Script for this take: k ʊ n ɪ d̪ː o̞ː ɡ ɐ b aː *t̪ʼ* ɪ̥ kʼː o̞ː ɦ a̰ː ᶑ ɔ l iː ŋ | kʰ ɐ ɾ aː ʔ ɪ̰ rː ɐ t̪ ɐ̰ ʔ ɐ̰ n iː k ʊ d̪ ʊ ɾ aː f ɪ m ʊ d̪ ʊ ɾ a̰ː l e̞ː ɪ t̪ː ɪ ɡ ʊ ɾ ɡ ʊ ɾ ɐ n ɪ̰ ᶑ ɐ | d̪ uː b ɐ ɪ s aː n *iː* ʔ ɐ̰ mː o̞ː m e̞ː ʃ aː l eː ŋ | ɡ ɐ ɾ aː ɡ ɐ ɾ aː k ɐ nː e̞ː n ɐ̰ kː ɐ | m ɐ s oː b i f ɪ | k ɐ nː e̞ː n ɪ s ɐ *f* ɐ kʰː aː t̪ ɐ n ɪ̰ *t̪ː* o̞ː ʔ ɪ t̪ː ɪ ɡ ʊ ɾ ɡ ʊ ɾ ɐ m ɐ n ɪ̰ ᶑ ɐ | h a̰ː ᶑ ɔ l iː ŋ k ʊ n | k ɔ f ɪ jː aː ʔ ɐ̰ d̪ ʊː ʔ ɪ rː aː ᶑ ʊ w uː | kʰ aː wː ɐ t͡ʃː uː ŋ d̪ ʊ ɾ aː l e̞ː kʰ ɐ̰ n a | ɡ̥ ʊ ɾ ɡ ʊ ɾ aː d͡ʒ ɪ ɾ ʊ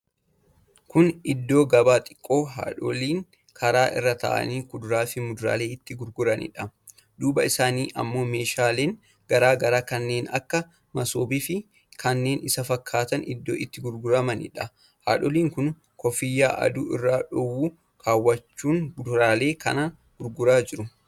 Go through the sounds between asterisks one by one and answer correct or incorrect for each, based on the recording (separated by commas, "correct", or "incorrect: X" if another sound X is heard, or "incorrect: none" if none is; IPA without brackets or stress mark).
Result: correct, correct, correct, incorrect: d̪ː